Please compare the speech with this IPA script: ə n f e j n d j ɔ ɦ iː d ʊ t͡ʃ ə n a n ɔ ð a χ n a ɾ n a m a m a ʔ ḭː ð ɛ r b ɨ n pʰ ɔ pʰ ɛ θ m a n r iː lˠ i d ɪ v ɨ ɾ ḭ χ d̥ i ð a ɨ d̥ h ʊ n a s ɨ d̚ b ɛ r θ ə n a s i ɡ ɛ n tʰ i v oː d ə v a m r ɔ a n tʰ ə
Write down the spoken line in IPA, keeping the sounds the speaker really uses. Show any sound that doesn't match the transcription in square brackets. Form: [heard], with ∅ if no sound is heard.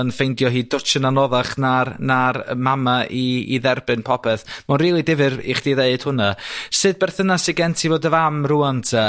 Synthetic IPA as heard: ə n f e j n d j ɔ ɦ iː d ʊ t͡ʃ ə n a n ɔ ð a χ n a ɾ n a m a m a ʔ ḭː ð ɛ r b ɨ n pʰ ɔ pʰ ɛ θ m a n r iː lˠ i d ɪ v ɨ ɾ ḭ χ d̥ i ð [e] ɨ d̥ h ʊ n a s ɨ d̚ b ɛ r θ ə n a s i ɡ ɛ n tʰ i v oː d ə v a m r [u] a n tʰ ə